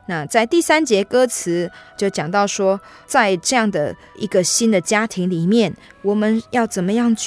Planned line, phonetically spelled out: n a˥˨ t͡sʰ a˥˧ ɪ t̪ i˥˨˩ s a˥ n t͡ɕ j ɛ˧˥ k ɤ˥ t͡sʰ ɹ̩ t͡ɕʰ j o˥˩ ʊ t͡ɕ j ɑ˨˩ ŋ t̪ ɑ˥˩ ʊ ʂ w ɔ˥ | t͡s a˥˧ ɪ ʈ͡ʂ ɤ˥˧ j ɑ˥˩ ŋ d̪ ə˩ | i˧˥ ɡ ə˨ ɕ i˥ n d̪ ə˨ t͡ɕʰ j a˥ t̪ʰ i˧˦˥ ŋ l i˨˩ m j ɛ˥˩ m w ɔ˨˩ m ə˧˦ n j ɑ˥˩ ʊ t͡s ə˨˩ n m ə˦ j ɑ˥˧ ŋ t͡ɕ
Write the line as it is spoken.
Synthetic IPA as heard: n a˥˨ t͡s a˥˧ ɪ t̪ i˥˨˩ s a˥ n t͡ɕ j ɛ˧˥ k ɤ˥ t͡sʰ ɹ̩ t͡ɕ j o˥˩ ʊ t͡ɕ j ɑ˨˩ ŋ t̪ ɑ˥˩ ʊ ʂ w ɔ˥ | t͡s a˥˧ ɪ ʈ͡ʂ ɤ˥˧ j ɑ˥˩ ŋ d̪ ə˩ | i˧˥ ɡ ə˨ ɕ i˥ n d̪ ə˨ t͡ɕ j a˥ t̪ʰ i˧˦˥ ŋ l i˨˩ m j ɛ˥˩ n w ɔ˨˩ m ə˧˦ n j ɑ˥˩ ʊ t͡s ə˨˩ n m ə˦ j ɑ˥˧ ŋ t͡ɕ